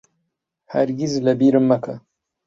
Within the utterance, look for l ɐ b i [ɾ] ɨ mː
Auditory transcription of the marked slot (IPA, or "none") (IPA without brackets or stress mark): ɾ